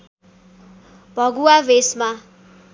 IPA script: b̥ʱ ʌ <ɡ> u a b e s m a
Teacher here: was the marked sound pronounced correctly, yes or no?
yes